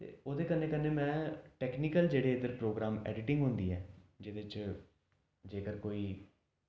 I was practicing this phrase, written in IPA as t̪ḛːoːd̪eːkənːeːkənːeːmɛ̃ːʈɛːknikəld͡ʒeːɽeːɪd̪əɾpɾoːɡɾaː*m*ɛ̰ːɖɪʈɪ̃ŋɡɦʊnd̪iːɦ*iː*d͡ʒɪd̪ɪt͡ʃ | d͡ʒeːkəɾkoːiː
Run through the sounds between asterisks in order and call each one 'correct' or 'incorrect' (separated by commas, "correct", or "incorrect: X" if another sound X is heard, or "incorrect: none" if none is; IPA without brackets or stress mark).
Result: correct, incorrect: ɛː